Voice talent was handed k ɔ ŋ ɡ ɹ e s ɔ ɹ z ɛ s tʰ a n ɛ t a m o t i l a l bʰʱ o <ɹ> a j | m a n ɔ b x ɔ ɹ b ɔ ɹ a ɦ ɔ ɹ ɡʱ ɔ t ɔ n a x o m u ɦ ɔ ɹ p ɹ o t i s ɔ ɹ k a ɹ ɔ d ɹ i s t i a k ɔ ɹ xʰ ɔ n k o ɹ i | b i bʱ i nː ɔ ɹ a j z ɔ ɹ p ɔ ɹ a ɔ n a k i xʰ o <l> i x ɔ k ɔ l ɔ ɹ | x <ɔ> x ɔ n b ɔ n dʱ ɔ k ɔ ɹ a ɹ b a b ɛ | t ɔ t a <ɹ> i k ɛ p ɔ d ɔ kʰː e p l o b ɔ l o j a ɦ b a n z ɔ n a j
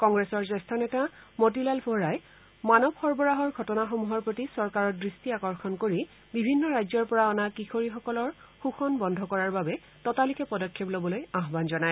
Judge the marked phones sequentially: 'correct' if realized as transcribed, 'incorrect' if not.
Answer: correct, incorrect: ɹ, incorrect: u, incorrect: l

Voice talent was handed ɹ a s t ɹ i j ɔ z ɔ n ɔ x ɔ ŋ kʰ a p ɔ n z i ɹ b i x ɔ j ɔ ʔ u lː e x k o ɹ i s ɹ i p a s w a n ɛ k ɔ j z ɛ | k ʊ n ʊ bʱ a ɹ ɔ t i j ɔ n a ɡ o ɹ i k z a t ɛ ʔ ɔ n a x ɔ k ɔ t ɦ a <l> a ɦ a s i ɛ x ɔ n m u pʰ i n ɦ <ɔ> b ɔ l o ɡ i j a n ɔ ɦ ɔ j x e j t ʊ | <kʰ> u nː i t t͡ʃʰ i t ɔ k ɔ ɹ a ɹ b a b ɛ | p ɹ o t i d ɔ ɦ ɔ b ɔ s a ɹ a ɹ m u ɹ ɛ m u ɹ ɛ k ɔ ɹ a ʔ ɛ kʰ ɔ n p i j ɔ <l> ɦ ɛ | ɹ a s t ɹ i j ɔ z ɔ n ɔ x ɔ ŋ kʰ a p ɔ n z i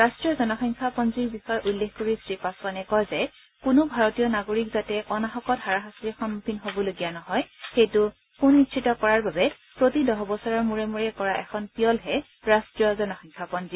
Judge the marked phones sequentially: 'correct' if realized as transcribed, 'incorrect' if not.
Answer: incorrect: ɹ, incorrect: o, incorrect: k, correct

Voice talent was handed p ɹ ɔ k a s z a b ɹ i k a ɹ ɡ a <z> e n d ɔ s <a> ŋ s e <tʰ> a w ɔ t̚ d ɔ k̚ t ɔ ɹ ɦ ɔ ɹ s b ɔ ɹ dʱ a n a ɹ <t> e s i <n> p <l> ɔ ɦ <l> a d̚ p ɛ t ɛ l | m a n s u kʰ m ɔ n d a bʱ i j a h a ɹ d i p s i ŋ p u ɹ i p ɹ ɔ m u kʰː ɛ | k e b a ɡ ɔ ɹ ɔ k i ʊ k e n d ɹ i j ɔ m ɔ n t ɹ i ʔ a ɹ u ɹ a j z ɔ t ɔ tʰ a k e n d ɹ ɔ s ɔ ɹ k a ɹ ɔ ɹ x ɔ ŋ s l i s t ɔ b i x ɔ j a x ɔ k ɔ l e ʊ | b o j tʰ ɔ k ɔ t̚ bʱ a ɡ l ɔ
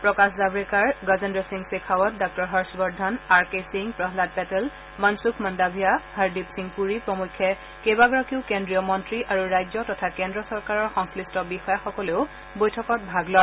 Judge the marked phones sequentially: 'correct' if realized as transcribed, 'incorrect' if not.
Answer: correct, incorrect: i, incorrect: kʰ, incorrect: k, incorrect: ŋ, incorrect: ɹ, correct

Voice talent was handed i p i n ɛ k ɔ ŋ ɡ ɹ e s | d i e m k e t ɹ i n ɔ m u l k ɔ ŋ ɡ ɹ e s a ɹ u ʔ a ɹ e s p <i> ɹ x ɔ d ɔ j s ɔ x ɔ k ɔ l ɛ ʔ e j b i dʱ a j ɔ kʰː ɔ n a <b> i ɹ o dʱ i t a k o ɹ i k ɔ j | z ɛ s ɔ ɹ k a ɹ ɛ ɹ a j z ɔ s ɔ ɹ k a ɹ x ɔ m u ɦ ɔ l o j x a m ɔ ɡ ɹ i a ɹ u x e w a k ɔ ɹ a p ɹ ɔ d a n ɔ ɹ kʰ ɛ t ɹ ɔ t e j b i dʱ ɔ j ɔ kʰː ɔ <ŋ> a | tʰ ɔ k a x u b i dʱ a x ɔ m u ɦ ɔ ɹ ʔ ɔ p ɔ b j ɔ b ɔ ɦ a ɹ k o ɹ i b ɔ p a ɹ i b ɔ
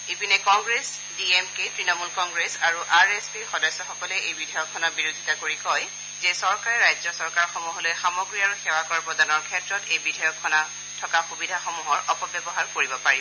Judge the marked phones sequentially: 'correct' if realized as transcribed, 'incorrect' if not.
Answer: correct, correct, incorrect: n

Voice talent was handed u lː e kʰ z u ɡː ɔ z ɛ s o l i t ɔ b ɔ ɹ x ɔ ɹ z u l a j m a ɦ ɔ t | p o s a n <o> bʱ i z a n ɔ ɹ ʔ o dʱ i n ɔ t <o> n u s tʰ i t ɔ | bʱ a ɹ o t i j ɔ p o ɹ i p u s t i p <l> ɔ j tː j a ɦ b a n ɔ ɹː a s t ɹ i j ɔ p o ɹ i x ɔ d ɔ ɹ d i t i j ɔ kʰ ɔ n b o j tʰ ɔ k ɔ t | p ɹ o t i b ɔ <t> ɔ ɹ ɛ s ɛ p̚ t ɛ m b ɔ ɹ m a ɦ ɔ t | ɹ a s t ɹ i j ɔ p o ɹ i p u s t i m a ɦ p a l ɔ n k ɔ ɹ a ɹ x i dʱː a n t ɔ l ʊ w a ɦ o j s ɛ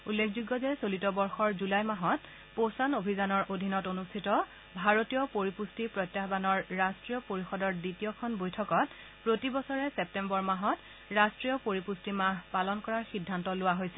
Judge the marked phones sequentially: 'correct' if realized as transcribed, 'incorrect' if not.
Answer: correct, correct, incorrect: ɹ, incorrect: s

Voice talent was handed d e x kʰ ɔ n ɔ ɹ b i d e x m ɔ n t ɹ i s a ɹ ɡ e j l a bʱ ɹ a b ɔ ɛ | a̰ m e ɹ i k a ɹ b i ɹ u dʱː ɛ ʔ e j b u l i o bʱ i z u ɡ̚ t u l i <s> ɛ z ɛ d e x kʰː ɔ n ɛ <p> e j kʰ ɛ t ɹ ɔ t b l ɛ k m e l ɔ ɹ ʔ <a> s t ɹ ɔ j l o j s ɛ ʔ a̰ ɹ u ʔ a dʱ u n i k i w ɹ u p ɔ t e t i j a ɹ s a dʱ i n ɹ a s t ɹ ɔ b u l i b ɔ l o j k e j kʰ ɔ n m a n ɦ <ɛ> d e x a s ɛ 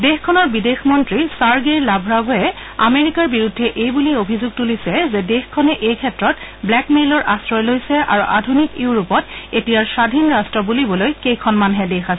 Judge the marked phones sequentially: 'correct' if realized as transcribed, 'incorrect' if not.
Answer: correct, incorrect: ʔ, correct, correct

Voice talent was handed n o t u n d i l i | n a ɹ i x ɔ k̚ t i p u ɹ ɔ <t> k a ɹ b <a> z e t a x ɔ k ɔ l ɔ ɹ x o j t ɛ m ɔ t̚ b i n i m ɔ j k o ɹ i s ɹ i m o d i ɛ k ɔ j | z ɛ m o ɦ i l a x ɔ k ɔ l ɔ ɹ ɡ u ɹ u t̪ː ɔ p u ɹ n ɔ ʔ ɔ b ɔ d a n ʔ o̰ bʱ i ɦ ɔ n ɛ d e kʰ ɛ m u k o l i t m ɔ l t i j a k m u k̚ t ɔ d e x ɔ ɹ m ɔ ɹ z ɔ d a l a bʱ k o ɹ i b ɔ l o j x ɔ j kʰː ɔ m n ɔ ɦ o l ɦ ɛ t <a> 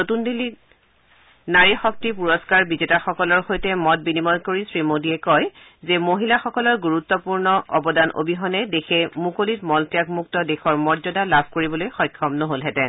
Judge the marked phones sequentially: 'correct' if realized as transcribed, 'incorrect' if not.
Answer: incorrect: s, incorrect: i, incorrect: ɛ

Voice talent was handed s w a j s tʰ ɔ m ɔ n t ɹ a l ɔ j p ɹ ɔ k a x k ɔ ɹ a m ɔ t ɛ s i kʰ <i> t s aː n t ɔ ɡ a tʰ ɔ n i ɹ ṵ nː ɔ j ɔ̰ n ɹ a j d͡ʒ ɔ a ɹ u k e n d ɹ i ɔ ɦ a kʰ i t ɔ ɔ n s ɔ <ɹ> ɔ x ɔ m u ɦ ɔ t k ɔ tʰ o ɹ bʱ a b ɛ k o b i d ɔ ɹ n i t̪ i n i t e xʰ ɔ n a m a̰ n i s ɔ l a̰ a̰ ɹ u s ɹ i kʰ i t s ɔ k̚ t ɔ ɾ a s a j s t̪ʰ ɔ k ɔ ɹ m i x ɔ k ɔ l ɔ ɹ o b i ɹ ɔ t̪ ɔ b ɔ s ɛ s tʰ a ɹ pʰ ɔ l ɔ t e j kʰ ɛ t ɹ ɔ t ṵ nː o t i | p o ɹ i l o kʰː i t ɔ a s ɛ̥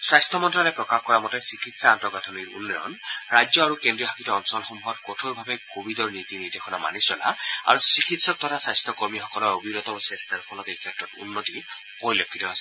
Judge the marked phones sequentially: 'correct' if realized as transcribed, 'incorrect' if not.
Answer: correct, incorrect: l

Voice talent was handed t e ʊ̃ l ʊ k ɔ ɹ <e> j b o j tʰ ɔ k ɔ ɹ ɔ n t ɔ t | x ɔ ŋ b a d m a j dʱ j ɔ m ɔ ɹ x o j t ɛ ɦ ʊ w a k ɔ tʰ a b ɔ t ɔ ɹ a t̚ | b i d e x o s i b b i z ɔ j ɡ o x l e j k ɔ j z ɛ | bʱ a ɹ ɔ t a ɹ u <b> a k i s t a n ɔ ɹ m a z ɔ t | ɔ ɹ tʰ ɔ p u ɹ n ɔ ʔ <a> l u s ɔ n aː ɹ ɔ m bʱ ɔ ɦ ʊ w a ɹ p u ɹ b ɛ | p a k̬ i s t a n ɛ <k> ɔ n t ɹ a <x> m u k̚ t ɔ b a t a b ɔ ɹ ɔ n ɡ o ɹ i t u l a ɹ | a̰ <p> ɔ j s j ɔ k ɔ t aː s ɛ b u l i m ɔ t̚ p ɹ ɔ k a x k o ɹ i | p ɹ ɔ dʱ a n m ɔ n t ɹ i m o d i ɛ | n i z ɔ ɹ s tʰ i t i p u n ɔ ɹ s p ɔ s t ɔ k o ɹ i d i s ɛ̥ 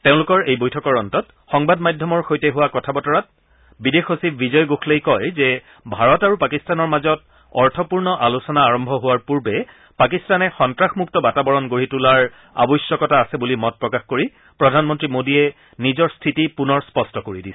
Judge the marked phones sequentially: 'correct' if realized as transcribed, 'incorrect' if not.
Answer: correct, incorrect: p, correct, incorrect: x, correct, incorrect: b

